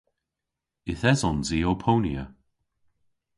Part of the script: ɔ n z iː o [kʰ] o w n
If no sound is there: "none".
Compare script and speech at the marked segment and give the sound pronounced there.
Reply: pʰ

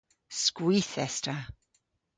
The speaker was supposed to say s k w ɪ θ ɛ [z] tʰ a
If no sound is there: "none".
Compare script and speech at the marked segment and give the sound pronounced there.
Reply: s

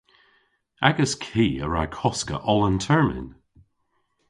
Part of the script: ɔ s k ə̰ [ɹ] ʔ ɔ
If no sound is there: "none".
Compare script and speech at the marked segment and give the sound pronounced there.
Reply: none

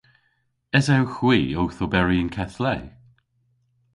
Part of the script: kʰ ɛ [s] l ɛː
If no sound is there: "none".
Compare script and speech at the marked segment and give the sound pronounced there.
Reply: θ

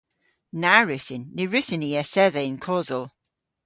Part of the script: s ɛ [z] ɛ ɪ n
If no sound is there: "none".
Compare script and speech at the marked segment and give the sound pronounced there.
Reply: ð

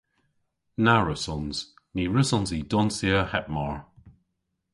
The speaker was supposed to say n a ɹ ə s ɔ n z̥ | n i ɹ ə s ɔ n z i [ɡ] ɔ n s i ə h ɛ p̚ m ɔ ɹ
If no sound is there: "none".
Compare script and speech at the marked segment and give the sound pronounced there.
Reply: d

